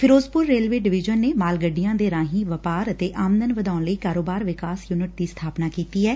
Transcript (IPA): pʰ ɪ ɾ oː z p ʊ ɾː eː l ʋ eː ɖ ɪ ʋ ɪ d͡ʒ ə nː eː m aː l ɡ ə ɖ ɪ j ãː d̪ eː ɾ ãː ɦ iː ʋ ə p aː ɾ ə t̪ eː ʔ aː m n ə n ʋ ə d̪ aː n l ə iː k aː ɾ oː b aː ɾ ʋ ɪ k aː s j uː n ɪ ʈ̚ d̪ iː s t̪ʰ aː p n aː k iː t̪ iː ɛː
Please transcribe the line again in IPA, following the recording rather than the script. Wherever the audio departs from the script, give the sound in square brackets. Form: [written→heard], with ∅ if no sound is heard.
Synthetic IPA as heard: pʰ ɪ ɾ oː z p ʊ ɾː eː l ʋ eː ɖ ɪ ʋ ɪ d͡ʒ ə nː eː m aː l ɡ ə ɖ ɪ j ãː d̪ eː ɾ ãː ɦ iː ʋ ə p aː ɾ ə t̪ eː ʔ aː m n ə n ʋ ə d̪ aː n l ə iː k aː ɾ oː b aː ɾ ʋ ɪ k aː s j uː n ɪ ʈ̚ d̪ iː s t̪ʰ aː p n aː k iː t̪ iː ɛː